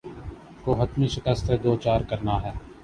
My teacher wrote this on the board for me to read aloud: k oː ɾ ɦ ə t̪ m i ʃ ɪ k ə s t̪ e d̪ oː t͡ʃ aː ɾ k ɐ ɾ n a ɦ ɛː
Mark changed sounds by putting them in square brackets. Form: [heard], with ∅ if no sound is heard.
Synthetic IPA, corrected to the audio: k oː [∅] ɦ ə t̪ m i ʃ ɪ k ə s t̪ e d̪ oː t͡ʃ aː ɾ k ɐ ɾ n a ɦ ɛː